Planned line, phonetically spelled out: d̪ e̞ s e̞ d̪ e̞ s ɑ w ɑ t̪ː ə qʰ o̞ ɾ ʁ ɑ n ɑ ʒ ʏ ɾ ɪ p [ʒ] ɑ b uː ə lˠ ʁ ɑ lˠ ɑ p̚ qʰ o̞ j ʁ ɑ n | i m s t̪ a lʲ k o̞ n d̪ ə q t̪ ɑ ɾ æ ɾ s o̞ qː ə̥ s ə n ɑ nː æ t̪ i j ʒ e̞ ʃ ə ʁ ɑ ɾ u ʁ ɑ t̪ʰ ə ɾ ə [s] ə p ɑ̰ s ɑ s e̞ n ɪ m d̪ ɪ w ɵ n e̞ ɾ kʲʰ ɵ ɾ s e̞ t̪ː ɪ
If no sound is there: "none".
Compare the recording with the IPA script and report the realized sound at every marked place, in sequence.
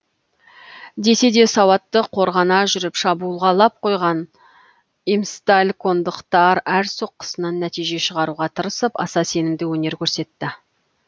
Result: ʃ, s

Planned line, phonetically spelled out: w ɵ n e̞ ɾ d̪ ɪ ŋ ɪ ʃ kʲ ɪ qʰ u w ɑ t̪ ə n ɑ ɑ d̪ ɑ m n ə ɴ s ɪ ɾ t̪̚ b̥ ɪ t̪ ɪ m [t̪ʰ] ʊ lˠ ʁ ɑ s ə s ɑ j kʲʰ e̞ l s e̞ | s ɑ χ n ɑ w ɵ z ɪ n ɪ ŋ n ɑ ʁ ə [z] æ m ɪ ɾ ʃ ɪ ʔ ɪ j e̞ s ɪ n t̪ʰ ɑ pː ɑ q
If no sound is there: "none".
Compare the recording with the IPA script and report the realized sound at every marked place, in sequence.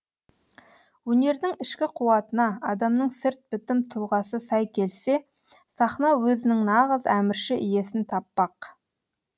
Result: t̪ʰ, z

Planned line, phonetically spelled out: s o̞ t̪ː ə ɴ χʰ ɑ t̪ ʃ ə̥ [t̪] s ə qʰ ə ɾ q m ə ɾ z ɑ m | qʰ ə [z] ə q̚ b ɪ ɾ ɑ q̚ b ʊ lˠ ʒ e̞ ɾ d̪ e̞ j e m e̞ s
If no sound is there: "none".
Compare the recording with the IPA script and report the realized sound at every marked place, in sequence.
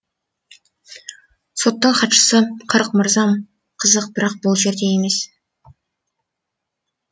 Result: none, z

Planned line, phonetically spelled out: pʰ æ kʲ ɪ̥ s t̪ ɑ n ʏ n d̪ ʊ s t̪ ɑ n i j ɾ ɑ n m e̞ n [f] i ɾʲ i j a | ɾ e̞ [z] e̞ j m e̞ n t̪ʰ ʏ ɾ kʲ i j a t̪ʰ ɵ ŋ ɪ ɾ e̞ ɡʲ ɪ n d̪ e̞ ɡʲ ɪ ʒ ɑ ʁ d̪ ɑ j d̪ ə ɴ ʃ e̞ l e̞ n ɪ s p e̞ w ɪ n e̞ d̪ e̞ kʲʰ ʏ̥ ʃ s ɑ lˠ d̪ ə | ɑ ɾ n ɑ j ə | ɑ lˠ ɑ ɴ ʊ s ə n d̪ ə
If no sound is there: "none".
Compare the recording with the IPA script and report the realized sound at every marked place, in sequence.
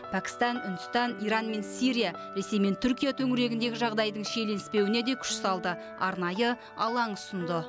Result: s, s

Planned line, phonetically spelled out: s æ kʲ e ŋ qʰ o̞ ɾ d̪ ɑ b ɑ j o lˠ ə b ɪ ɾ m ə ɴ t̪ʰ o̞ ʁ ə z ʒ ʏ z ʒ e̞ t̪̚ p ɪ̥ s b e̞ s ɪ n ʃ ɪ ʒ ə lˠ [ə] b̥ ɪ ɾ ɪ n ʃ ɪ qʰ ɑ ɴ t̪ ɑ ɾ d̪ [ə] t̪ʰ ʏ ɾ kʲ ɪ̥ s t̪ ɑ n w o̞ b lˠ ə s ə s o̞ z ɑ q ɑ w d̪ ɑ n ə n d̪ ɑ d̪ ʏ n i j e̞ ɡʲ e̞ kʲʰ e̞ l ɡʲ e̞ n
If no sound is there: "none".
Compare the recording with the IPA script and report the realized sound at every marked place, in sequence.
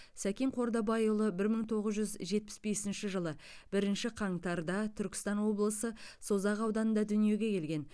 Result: ə, ɑ

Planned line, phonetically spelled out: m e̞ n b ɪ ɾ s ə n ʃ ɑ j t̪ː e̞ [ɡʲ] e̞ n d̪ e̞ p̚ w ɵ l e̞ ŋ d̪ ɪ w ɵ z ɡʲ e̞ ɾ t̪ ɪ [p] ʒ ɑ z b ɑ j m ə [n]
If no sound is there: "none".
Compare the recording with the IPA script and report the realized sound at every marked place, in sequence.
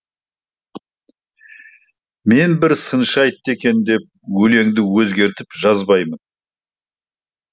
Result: kʲ, p, n

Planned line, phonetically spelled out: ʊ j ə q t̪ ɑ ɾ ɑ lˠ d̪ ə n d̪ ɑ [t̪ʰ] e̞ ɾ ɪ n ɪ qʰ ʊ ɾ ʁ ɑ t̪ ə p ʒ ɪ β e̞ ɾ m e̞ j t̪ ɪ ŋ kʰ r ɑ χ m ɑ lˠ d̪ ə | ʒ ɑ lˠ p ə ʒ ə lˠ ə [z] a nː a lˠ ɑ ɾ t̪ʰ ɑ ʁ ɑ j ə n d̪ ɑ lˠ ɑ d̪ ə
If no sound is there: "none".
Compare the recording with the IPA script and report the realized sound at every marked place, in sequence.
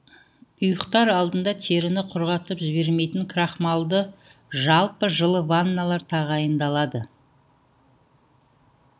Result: t̪ʰ, v

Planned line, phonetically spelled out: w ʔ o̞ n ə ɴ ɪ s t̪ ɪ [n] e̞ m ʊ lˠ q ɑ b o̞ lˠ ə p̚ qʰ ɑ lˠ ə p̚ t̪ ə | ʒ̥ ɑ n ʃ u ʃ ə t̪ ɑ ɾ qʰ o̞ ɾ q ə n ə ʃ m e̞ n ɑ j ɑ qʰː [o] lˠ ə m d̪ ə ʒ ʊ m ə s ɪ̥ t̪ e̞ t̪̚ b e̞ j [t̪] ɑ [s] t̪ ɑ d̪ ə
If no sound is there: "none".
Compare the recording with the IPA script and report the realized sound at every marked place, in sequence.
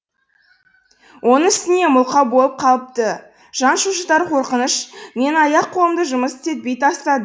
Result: n, o, t̪, s

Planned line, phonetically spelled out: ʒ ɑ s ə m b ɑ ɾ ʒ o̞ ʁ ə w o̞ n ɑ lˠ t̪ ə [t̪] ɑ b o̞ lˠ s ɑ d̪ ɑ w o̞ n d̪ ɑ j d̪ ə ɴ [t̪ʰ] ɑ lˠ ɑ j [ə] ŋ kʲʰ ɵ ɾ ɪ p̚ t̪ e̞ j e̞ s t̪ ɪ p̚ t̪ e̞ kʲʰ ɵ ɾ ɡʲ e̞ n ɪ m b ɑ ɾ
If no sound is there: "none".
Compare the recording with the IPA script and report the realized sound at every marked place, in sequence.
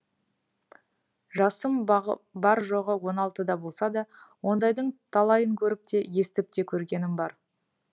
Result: d̪, t̪ʰ, ə

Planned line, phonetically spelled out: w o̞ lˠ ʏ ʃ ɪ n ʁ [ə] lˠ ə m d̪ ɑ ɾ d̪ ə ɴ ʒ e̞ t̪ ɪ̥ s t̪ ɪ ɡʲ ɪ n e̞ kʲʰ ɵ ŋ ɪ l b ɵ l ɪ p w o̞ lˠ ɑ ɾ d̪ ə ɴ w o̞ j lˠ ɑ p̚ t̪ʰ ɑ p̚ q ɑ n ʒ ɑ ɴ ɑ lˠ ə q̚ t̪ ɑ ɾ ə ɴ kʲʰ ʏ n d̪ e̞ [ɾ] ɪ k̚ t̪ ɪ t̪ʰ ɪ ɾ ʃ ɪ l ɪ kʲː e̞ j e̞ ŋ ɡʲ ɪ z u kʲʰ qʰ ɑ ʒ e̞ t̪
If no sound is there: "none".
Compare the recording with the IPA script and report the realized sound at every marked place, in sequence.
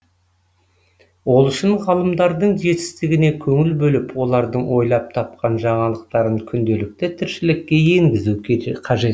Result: ɑ, l

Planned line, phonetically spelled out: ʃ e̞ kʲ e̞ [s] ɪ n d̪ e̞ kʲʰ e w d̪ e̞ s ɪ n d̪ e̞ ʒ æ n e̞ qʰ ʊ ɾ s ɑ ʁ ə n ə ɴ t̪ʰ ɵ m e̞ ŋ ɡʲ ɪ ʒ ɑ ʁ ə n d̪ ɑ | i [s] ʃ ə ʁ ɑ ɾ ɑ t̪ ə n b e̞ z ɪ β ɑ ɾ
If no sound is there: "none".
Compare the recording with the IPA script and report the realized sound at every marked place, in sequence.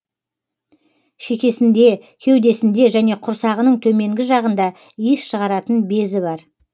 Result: s, s

